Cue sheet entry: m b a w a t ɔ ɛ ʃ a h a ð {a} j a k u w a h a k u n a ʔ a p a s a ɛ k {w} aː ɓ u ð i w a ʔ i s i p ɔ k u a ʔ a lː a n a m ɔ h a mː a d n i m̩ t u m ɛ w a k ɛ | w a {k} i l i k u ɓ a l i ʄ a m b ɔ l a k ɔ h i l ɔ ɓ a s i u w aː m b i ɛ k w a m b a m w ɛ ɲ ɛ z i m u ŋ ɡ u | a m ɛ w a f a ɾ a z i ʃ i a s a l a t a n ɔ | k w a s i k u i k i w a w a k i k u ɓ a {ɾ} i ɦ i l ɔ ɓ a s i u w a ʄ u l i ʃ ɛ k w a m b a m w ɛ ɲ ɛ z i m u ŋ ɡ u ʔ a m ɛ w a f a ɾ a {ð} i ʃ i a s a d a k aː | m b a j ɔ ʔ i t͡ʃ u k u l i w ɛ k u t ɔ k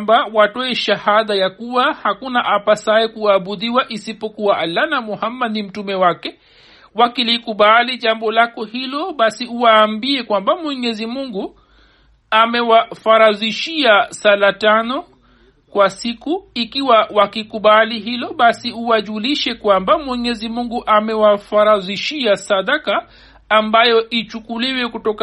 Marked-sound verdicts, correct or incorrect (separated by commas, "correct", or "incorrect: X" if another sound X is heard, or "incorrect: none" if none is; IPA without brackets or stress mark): correct, incorrect: u, correct, incorrect: l, incorrect: z